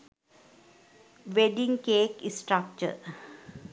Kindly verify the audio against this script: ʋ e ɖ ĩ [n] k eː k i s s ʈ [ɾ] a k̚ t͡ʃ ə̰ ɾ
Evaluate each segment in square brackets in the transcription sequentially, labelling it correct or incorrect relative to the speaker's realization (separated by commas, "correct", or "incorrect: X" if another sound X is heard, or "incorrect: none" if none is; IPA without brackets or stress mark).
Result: incorrect: ŋ, correct